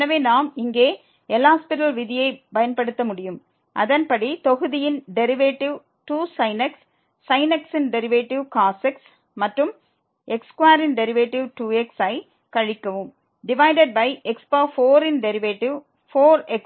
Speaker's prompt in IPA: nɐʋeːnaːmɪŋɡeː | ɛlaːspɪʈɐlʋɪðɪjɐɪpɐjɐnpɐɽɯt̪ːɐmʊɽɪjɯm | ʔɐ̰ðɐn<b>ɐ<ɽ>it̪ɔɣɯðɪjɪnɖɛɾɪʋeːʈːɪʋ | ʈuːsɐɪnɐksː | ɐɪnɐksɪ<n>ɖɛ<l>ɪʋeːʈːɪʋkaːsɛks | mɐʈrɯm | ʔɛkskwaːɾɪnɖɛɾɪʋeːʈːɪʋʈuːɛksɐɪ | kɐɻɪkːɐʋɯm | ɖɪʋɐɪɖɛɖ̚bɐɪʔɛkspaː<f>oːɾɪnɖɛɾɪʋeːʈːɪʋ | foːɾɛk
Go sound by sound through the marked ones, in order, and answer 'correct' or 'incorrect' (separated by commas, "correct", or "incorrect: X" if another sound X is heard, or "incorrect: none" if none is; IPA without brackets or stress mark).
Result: incorrect: p, correct, correct, incorrect: ɾ, correct